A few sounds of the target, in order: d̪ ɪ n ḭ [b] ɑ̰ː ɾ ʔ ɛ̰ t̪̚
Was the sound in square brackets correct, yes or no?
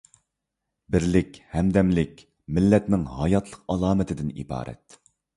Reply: yes